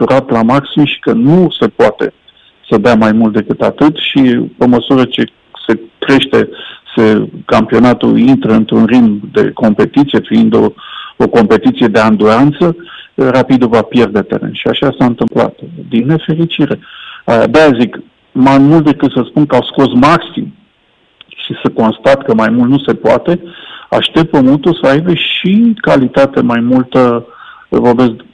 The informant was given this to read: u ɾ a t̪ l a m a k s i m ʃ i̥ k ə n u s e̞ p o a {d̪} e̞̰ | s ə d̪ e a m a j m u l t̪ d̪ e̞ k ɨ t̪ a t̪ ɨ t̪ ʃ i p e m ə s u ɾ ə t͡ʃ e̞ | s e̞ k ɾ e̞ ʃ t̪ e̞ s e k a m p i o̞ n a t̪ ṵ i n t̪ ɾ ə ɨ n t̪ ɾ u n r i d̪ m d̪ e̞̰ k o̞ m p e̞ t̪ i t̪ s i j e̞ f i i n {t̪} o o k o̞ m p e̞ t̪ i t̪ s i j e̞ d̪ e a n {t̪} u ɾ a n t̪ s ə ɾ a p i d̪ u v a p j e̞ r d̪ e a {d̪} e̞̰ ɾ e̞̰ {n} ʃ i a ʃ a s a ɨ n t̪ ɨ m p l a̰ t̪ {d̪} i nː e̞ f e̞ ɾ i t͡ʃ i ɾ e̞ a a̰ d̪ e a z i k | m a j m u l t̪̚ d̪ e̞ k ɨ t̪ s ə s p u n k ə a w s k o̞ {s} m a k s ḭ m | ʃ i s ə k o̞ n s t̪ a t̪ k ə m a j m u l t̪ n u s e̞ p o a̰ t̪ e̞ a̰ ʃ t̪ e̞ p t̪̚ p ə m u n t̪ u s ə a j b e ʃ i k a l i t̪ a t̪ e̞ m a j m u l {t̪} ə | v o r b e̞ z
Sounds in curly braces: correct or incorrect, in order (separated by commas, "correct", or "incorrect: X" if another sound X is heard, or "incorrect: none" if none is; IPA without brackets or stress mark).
incorrect: t̪, incorrect: d̪, incorrect: d̪, incorrect: t̪, correct, correct, correct, correct